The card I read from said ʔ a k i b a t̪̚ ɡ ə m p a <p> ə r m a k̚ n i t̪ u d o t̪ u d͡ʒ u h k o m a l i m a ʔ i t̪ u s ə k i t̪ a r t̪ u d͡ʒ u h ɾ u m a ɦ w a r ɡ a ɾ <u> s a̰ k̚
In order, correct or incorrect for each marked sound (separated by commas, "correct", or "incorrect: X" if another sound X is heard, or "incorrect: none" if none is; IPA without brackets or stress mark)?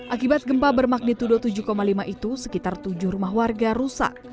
incorrect: b, correct